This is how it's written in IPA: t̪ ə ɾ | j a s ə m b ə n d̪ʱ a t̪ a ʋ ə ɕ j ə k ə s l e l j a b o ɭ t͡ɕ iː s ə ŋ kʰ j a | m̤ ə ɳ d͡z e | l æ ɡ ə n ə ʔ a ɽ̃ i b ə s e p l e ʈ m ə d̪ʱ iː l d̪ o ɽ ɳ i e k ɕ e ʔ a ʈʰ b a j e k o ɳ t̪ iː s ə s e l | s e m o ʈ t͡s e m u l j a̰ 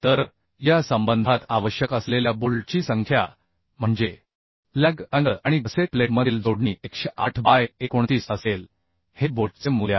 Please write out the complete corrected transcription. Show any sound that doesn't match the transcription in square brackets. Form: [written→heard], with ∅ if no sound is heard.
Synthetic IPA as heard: t̪ ə ɾ | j a s ə m b ə n d̪ʱ a t̪ a ʋ ə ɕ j ə k ə s l e l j a b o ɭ t͡ɕ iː s ə ŋ kʰ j a | m̤ ə ɳ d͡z e | l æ ɡ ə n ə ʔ a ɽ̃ i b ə s e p l e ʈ m ə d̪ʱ iː l d̪ o ɽ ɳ i e k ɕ e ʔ a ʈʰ b a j e k o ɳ t̪ iː s ə s e l | [s→h] e [m→b] o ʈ t͡s e m u l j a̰